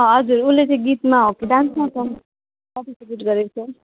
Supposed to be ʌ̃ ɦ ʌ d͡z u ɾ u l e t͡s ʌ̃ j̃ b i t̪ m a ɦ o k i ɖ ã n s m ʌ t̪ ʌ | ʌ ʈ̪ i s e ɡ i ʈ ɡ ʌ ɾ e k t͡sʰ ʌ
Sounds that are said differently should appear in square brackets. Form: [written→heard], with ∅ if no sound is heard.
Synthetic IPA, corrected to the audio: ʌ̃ ɦ ʌ d͡z u ɾ u l e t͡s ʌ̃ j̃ [b→ɡ] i t̪ m a ɦ o k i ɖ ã n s m [ʌ→a] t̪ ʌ | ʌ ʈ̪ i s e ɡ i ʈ ɡ ʌ ɾ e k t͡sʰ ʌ